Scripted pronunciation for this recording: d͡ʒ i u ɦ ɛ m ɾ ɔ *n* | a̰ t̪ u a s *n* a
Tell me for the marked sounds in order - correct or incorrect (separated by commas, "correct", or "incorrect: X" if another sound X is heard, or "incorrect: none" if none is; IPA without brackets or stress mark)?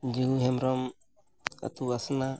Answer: incorrect: m, correct